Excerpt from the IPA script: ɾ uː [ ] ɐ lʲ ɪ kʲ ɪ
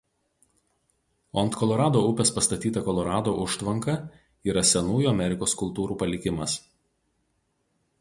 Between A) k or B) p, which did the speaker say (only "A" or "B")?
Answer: B